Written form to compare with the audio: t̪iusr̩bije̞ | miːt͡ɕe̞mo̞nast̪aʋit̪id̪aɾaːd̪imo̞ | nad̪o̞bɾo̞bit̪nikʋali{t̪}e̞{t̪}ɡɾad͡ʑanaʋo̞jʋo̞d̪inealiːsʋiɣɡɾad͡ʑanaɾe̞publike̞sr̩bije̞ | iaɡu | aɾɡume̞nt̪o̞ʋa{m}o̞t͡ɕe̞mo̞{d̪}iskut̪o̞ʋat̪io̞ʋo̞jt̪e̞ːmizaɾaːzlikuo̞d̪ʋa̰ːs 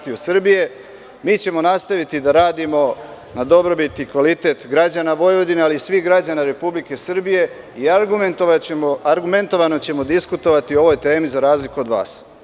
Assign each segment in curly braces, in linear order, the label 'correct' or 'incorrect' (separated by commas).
correct, correct, incorrect, correct